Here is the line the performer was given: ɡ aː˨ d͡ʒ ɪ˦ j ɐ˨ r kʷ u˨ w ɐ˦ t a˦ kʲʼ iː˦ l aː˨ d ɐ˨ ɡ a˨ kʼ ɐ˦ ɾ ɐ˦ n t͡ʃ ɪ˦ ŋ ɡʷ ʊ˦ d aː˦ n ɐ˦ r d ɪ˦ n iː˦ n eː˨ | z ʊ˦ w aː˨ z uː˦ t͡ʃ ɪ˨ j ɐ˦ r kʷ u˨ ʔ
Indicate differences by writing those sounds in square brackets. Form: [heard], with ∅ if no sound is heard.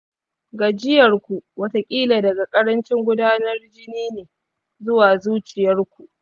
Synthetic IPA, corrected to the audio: ɡ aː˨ d͡ʒ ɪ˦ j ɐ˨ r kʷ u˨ w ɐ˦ t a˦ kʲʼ iː˦ l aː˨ d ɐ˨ ɡ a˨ kʼ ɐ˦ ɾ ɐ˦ n t͡ʃ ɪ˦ ŋ ɡʷ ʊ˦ d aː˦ n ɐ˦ r [d͡ʒ] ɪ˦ n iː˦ n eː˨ | z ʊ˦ w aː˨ z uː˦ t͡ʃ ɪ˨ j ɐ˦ r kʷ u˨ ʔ